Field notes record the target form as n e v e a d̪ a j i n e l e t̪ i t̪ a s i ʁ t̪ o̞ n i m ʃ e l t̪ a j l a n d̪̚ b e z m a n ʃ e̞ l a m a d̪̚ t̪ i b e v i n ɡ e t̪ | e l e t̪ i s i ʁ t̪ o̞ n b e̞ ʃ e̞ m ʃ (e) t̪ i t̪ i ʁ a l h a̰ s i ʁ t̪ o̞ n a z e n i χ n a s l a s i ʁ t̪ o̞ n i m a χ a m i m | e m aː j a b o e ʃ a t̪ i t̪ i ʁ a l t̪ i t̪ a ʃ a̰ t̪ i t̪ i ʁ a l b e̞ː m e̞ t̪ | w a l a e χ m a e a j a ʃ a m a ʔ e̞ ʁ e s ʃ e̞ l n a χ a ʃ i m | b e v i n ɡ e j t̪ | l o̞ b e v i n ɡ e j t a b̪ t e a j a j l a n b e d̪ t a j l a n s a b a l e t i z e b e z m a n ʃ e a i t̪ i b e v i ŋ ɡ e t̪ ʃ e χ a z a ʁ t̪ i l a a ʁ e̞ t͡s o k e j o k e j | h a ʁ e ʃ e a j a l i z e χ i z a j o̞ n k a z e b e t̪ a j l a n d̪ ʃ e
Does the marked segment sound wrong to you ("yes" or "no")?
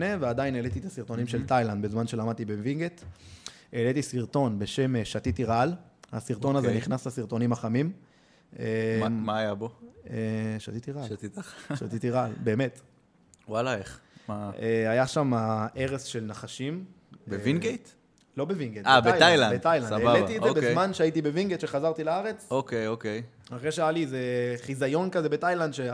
yes